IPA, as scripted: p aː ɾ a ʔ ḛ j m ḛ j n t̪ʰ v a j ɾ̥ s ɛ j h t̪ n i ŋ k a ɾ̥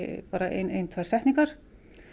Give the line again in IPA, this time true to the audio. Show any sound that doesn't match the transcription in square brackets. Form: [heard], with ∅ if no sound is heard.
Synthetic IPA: p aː ɾ a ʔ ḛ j [n] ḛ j n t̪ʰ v a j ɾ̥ s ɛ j h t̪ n i ŋ k a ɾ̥